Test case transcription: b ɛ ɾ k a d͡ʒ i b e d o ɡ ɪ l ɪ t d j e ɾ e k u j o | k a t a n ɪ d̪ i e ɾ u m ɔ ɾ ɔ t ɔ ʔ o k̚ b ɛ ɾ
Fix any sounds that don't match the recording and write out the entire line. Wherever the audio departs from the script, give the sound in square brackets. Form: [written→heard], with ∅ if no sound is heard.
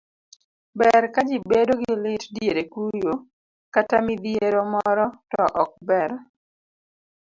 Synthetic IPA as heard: b ɛ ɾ k a d͡ʒ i b e d o ɡ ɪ l ɪ t d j e ɾ e k u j o | k a t a [n→m] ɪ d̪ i e ɾ [u→o] m ɔ ɾ ɔ t ɔ ʔ [o→ɔ] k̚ b ɛ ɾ